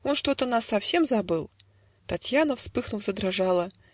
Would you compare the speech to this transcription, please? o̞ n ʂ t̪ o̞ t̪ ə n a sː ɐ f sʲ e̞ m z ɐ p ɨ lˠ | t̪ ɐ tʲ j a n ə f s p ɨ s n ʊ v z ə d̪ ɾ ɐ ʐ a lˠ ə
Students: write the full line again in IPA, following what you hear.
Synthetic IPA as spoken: o̞ n ʂ t̪ o̞ t̪ ə n a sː ɐ f sʲ e̞ m z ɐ b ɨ lˠ | t̪ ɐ tʲ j a n ə f s p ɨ x n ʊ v z ə d̪ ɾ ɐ ʐ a lˠ ə